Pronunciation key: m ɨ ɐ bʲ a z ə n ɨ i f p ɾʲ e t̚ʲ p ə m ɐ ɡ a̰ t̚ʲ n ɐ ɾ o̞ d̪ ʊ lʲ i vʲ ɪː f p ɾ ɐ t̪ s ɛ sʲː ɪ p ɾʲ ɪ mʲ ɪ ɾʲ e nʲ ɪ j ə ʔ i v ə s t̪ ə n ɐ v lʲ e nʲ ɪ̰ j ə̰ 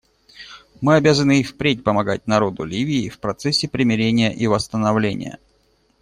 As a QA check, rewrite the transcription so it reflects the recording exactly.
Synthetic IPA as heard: m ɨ ɐ bʲ a z ə n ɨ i f p ɾʲ e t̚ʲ p ə m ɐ ɡ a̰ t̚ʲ n ɐ ɾ o̞ d̪ ʊ lʲ i vʲ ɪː f p ɾ ɐ t̪ s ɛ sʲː ɪ p ɾʲ ɪ mʲ ɪ ɾʲ e nʲ ɪ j ə ʔ i v ə s t̪ ə n ɐ v lʲ e nʲ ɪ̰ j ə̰